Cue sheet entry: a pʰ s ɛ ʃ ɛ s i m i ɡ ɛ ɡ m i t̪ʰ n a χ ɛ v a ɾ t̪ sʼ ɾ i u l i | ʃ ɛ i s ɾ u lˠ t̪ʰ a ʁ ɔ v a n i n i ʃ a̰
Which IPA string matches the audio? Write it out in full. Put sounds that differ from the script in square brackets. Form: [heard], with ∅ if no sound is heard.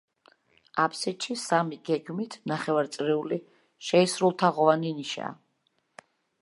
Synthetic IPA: a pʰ s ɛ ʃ [i] s [a] m i ɡ ɛ ɡ m i t̪ʰ n a χ ɛ v a ɾ t̪ sʼ ɾ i u l i | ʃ ɛ i s ɾ u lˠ t̪ʰ a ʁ ɔ v a n i n i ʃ a̰